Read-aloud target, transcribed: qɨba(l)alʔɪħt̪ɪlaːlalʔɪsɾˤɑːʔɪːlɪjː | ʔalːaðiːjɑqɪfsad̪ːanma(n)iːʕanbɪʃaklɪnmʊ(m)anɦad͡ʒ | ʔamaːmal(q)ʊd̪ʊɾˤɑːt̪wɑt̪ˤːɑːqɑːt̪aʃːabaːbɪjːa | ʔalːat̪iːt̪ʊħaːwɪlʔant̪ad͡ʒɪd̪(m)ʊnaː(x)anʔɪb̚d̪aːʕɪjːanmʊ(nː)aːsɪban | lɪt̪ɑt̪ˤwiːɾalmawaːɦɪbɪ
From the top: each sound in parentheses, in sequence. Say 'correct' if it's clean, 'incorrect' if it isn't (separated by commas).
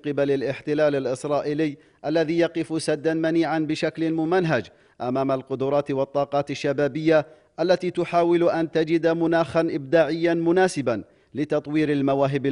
correct, correct, correct, correct, correct, correct, incorrect